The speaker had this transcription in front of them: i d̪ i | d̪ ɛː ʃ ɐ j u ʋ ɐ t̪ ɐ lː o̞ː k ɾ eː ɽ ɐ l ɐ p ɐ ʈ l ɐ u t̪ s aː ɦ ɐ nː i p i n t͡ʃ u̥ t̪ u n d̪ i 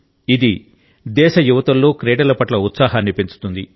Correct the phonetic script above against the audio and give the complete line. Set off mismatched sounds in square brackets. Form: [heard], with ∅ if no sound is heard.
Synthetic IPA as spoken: i d̪ i | d̪ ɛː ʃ ɐ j u ʋ ɐ t̪ ɐ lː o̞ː k ɾ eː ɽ ɐ l ɐ p ɐ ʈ l ɐ u t̪ s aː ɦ ɐ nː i p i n t͡ʃ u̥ t̪ u n d̪ i